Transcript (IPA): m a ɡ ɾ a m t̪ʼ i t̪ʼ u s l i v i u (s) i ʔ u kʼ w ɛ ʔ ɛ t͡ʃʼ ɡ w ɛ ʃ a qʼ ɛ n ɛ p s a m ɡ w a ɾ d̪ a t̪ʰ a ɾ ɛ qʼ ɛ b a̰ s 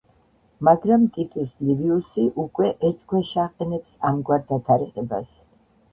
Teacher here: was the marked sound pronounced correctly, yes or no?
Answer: yes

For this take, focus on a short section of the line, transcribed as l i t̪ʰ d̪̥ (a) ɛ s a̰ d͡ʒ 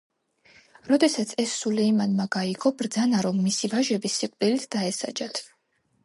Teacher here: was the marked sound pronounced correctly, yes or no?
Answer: yes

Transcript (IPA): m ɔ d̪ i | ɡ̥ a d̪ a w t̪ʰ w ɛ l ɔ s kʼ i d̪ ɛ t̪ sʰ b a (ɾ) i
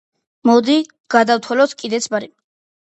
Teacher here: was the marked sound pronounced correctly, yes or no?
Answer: yes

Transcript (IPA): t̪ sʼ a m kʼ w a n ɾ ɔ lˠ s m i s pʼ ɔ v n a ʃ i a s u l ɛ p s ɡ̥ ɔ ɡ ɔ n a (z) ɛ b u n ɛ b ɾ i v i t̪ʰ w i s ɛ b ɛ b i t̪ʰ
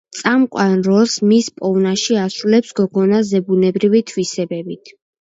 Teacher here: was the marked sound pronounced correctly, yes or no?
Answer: yes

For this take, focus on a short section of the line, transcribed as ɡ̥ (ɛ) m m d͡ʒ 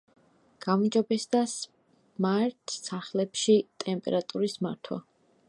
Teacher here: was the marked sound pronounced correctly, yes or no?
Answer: no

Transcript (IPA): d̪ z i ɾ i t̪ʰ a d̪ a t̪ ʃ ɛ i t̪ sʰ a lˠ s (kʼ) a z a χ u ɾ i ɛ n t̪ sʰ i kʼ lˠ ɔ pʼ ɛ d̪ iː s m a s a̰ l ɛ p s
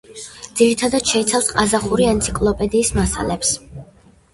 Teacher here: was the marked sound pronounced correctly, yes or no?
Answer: no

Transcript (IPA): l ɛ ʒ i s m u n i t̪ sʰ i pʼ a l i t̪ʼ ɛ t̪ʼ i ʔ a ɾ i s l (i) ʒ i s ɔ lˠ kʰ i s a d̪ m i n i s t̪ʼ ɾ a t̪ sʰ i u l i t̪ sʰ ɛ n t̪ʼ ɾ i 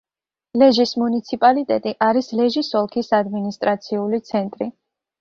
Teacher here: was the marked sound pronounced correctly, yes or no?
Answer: no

